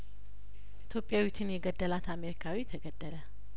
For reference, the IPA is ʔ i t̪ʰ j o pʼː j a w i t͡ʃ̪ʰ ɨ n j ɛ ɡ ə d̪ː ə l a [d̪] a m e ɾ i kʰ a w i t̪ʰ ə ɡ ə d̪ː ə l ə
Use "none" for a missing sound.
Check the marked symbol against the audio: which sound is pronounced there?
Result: t̪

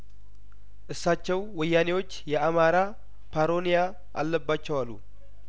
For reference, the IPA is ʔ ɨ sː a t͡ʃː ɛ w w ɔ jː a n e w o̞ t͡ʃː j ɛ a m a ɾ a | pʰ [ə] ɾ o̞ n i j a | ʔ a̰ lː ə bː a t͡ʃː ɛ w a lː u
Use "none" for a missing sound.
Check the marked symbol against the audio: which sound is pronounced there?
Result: a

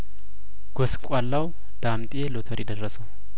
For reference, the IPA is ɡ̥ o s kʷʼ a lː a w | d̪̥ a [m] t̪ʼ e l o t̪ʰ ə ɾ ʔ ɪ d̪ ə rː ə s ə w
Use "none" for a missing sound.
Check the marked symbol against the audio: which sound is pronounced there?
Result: m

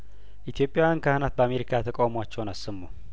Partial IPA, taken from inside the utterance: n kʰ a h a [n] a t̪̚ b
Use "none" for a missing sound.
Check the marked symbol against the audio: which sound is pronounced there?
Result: n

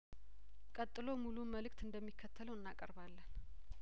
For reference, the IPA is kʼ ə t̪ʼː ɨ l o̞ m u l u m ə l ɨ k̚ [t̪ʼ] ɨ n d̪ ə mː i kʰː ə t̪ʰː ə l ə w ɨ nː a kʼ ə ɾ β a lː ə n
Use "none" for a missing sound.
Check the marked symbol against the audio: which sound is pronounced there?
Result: t̪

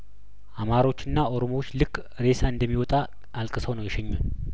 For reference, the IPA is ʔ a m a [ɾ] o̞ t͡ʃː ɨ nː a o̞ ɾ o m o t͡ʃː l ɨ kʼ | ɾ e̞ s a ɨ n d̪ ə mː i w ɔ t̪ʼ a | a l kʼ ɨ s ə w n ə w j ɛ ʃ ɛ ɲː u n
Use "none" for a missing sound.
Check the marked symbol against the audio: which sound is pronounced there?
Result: ɾ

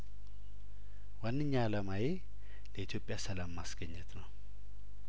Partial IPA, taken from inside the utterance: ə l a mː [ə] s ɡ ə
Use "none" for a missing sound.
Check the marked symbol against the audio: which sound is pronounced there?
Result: a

